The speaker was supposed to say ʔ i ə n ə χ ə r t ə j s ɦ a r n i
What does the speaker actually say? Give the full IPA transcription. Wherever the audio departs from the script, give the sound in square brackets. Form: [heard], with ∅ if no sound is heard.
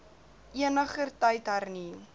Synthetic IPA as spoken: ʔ i ə n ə χ ə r t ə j [t] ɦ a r n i